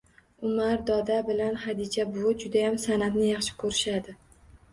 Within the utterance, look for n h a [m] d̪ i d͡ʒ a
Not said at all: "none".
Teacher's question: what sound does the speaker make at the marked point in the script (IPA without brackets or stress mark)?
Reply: none